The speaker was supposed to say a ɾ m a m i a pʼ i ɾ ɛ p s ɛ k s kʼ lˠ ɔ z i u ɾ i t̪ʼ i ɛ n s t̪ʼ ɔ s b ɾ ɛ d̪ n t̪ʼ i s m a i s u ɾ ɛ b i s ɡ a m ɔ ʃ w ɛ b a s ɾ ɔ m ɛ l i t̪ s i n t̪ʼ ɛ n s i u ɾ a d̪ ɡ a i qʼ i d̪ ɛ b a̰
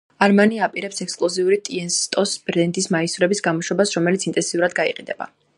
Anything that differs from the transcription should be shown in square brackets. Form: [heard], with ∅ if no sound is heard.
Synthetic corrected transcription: a ɾ m a [n] i a pʼ i ɾ ɛ p s ɛ k s kʼ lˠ ɔ z i u ɾ i t̪ʼ i ɛ n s t̪ʼ ɔ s b ɾ ɛ [∅] n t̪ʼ i s m a i s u ɾ ɛ b i s ɡ a m ɔ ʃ w ɛ b a s ɾ ɔ m ɛ l i t̪ s i n t̪ʼ ɛ n s i u ɾ a d̪ ɡ a i qʼ i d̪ ɛ b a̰